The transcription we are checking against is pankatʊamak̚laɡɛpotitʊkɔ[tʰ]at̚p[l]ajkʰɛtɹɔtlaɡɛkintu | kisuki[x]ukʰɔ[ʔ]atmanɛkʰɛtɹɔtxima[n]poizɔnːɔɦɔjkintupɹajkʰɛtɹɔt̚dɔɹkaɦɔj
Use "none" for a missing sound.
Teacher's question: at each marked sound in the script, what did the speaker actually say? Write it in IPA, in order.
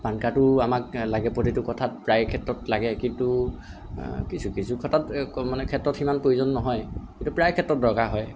tʰ, ɹ, s, t, n

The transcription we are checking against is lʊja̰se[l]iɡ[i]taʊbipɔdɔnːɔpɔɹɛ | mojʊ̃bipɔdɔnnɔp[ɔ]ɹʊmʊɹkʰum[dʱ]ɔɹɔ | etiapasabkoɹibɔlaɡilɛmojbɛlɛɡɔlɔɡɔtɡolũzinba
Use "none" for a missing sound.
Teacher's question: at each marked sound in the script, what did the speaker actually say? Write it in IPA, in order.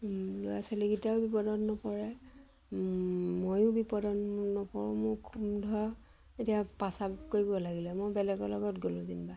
l, i, ɔ, dʱ

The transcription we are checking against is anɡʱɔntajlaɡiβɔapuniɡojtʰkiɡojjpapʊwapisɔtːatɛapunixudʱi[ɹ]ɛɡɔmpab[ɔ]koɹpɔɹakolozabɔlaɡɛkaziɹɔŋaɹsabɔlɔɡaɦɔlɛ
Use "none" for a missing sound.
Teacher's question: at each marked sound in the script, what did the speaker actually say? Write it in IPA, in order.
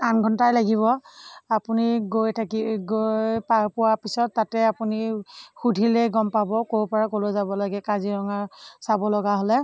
l, ɔ

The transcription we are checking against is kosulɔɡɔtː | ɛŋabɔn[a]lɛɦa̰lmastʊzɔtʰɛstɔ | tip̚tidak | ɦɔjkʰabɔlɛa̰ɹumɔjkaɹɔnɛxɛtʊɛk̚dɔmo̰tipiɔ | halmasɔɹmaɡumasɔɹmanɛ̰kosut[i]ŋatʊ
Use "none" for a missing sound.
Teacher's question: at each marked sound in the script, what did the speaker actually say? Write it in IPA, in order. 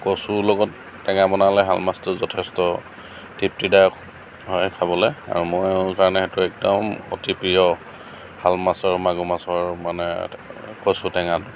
a, ɛ

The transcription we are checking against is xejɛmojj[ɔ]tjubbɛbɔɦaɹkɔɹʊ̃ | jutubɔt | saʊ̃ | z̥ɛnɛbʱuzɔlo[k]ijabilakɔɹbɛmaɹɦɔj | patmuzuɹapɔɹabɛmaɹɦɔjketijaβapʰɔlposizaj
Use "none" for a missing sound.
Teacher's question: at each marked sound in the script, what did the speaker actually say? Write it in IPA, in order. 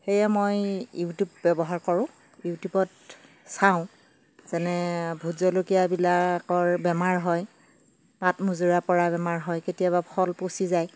u, k

